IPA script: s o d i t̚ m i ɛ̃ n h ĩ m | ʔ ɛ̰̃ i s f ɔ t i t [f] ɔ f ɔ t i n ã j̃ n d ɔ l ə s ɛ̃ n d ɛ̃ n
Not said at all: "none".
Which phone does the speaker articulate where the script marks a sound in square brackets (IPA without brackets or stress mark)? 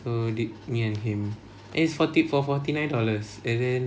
f